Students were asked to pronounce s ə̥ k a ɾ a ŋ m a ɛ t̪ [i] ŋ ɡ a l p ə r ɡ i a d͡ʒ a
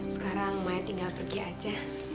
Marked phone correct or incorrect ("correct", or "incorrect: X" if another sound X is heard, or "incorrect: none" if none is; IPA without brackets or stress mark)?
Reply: correct